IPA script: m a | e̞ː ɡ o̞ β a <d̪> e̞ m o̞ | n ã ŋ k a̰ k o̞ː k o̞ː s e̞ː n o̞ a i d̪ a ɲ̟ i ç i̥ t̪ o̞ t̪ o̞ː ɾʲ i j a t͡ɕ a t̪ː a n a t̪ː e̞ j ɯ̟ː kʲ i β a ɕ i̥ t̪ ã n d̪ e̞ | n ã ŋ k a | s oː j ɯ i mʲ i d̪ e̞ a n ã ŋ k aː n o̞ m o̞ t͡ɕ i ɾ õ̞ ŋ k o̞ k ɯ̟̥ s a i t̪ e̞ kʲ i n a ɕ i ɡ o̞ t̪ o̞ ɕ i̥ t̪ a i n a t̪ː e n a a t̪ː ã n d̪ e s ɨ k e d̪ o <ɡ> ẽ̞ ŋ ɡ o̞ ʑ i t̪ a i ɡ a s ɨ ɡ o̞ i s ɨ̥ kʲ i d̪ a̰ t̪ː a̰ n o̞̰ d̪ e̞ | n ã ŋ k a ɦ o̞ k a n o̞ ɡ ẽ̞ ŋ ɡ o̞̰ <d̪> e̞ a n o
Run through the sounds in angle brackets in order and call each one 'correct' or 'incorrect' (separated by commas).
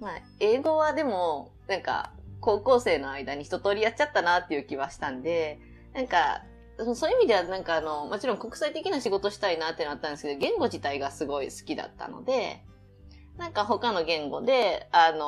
correct, correct, correct